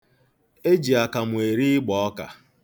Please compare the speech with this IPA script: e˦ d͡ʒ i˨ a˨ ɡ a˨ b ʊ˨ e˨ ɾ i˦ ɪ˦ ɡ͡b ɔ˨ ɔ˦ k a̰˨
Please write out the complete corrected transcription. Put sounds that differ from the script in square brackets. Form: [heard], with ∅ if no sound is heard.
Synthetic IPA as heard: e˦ d͡ʒ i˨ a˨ [k] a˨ [m] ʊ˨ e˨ ɾ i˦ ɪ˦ ɡ͡b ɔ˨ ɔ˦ k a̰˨